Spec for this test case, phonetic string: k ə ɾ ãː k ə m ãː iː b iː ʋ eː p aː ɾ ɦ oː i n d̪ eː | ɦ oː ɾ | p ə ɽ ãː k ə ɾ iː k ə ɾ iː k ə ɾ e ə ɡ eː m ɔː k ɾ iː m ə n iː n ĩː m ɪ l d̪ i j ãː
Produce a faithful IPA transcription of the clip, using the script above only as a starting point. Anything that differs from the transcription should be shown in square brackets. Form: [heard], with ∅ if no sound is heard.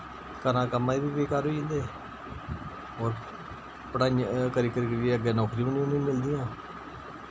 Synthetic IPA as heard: k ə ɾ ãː k ə m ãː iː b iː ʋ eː [k] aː ɾ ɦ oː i n d̪ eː | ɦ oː ɾ | p ə ɽ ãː k ə ɾ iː k ə ɾ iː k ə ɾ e ə ɡ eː [n] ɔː k ɾ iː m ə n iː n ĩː m ɪ l d̪ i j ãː